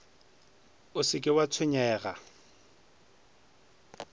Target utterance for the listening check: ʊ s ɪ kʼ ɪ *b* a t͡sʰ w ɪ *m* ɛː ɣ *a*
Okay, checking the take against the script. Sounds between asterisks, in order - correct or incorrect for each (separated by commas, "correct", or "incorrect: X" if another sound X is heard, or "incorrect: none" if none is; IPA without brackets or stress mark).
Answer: incorrect: w, incorrect: ɲ, correct